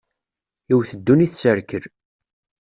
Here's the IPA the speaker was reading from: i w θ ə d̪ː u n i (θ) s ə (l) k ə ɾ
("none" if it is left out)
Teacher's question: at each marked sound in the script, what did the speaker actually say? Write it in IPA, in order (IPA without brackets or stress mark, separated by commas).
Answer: θ, ɾ